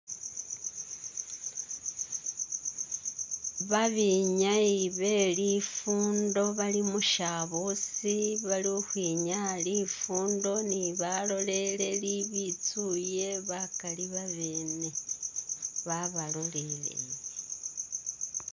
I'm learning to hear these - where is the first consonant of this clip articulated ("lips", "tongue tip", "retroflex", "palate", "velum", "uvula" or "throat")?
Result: lips